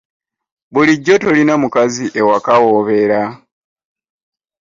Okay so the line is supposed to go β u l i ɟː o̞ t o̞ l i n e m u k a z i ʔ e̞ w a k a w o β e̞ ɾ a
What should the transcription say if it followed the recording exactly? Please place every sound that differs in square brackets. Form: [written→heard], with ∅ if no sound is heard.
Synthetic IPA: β u l i ɟː o̞ t o̞ l i n [e→a] m u k a z i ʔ e̞ w a k a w o β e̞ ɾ a